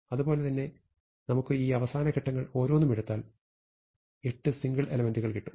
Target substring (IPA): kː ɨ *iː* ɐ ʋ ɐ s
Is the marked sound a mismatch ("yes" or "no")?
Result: no